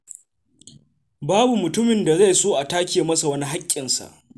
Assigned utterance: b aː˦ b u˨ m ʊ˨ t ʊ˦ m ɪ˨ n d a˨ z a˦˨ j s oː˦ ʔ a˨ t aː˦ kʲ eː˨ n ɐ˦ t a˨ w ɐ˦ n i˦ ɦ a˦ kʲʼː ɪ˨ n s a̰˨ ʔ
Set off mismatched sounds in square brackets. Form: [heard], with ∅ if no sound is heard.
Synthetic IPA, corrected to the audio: b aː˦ b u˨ m ʊ˨ t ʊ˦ m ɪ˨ n d a˨ z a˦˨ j s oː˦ ʔ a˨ t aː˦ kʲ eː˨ [m] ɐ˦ [s] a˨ w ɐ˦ n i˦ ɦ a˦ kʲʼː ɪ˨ n s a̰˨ ʔ

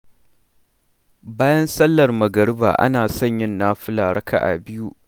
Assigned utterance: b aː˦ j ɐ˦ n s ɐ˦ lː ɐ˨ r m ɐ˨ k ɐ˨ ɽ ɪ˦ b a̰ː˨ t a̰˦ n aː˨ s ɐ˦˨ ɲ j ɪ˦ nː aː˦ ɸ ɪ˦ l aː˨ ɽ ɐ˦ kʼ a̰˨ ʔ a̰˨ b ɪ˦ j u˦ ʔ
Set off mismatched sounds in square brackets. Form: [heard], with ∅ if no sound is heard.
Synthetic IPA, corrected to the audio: b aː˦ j ɐ˦ n s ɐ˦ lː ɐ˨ r m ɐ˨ [ɡ] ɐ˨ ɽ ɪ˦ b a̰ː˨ [ʔ] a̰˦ n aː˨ s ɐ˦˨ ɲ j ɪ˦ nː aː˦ ɸ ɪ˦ l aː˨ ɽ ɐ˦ [k] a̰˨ ʔ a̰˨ b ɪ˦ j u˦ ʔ

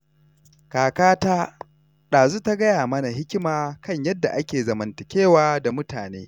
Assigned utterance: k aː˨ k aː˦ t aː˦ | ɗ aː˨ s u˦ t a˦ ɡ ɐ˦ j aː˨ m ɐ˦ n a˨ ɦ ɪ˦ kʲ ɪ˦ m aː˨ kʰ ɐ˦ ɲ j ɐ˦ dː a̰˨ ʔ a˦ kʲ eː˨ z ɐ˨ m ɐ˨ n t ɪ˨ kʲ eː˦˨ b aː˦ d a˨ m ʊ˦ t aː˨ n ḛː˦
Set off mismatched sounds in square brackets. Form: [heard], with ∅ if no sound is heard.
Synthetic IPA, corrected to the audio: k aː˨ k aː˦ t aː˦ | ɗ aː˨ [z] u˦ t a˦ ɡ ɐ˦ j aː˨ m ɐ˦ n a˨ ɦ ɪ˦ kʲ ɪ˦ m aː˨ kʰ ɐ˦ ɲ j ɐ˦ dː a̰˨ ʔ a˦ kʲ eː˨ z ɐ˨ m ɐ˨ n t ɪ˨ kʲ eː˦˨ [w] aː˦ d a˨ m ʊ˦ t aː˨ n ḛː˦

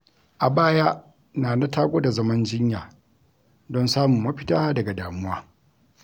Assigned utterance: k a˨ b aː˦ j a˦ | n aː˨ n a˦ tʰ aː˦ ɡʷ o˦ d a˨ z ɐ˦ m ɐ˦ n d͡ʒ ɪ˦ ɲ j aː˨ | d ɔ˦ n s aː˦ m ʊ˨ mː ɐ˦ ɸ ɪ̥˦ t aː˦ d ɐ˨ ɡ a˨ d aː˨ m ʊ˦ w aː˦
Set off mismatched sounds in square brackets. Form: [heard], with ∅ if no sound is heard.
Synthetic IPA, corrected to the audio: [ʔ] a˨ b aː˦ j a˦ | n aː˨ n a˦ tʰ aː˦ ɡʷ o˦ d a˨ z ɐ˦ m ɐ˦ n d͡ʒ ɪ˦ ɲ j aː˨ | d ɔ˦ n s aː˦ m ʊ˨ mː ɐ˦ ɸ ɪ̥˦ t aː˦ d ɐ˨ ɡ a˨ d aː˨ m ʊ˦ w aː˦

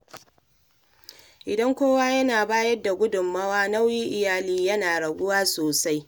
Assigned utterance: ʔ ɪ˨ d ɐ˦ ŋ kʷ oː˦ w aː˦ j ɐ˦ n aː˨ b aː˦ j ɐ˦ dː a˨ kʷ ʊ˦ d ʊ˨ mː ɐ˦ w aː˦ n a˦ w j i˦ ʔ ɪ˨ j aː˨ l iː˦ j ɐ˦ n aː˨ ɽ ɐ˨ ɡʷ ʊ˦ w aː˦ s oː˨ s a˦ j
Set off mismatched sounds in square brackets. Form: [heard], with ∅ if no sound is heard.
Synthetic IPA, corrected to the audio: ʔ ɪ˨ d ɐ˦ ŋ kʷ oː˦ w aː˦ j ɐ˦ n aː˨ b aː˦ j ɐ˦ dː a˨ [ɡʷ] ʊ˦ d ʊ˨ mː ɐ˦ w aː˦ n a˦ w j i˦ ʔ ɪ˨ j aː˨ l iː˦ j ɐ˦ n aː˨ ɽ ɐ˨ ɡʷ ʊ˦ w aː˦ s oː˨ s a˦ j

